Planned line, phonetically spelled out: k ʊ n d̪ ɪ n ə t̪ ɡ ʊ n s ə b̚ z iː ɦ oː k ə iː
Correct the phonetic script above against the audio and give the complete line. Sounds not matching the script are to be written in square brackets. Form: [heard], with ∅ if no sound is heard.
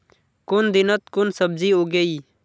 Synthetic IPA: k ʊ n d̪ ɪ n ə t̪ [k] ʊ n s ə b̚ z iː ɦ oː [ɡ] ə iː